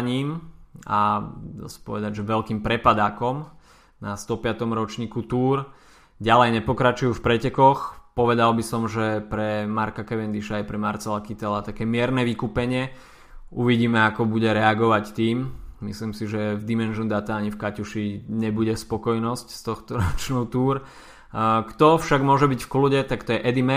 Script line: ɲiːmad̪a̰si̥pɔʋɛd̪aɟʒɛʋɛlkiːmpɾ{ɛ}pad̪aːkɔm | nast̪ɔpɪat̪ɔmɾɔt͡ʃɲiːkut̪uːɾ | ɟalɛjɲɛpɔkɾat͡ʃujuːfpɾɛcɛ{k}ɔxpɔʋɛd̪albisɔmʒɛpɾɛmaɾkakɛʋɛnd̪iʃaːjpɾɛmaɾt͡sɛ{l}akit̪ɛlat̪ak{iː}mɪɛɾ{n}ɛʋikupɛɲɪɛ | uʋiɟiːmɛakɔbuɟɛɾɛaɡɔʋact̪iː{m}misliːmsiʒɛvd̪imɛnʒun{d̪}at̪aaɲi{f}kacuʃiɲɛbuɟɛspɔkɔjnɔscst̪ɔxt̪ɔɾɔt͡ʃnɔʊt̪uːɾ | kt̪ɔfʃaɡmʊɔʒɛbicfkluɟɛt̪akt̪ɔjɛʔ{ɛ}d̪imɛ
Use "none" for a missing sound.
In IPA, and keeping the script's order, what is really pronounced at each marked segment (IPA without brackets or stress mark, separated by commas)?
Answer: ɛ, k, l, ɛː, n, m, d̪, f, ɛ